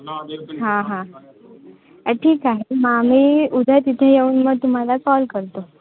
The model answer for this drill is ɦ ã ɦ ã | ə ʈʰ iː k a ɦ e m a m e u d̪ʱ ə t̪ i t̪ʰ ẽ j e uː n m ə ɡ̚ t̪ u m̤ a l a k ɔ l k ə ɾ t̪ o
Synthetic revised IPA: ɦ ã ɦ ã | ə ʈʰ iː k a ɦ e m a m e u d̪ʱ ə t̪ i t̪ʰ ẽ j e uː n m ə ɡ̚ t̪ u m̤ a l a k ɔ l k ə ɾ t̪ o